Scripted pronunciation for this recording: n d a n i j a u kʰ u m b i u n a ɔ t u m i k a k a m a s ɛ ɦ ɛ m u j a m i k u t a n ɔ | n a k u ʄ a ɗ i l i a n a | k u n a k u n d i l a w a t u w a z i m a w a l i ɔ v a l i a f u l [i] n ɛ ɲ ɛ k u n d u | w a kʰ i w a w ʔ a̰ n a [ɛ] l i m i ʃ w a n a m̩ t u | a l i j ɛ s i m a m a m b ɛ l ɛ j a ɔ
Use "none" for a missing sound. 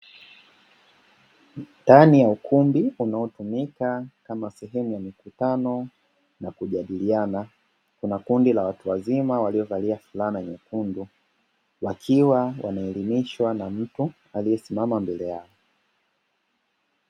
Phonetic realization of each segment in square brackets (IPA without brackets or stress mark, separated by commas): a, ɛ